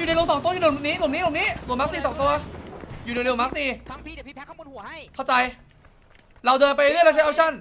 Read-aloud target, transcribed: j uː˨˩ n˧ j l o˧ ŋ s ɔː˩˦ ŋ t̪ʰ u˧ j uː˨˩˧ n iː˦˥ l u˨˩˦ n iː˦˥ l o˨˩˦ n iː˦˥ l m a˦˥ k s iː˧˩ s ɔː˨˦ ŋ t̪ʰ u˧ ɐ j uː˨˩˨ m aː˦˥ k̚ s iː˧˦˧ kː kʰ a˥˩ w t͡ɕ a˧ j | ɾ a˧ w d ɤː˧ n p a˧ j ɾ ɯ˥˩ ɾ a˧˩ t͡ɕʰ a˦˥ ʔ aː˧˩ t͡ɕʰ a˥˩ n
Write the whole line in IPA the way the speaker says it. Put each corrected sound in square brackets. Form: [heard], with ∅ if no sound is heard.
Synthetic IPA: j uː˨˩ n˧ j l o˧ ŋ s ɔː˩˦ ŋ [t̪] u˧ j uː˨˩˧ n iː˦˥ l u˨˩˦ n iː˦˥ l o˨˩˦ n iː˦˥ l m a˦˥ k s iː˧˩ s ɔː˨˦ ŋ [t̪] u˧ ɐ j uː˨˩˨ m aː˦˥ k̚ s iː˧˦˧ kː kʰ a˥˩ w t͡ɕ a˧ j | ɾ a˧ w d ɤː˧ n p a˧ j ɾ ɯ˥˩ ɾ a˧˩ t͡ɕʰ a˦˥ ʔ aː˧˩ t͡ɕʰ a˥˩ n